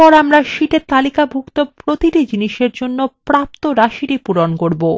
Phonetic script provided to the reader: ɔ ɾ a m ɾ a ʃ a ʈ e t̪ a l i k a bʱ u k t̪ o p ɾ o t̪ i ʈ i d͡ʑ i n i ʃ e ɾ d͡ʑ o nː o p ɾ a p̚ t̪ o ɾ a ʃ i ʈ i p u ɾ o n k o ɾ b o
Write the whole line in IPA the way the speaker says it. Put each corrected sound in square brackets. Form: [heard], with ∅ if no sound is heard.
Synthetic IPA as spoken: ɔ ɾ a m ɾ a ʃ [i] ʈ e t̪ a l i k a bʱ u k t̪ o p ɾ o t̪ i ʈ i d͡ʑ i n i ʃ e ɾ d͡ʑ o nː o p ɾ a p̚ t̪ o ɾ a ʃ i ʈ i p u ɾ o n k o ɾ b o